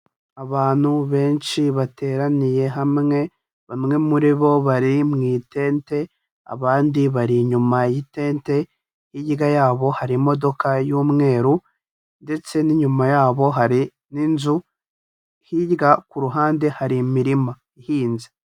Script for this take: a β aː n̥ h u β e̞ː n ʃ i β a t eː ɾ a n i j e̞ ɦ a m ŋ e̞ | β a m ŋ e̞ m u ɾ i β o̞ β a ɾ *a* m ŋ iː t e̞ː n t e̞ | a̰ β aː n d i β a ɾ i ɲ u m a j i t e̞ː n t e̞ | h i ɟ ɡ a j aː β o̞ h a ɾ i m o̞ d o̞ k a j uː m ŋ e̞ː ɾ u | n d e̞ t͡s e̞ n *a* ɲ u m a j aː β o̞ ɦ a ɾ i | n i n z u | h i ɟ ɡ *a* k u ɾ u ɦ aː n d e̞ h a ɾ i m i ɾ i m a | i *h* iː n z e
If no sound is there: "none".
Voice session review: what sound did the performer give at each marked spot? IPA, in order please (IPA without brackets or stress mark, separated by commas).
i, i, a, h